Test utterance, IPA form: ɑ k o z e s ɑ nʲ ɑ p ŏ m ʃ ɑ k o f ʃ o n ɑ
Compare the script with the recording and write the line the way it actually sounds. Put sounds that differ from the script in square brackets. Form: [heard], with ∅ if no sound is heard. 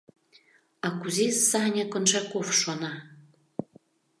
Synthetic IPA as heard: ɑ k [u] z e s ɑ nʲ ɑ [k] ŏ [n] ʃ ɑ k o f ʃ o n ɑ